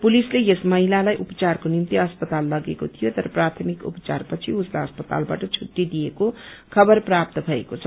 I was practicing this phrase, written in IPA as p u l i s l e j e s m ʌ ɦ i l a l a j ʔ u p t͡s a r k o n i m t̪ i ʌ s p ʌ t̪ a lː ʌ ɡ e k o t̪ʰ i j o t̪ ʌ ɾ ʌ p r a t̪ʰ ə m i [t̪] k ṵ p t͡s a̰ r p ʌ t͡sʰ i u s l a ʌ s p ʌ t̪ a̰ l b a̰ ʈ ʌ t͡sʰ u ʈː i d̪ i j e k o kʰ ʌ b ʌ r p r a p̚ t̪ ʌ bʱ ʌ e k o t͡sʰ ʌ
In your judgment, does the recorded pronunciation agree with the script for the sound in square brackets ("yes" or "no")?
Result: no